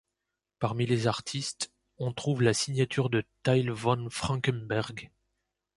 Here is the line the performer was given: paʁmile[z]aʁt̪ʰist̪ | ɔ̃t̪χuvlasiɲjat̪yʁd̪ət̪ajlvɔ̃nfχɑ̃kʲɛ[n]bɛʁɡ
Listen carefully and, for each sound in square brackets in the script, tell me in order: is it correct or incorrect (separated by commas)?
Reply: correct, correct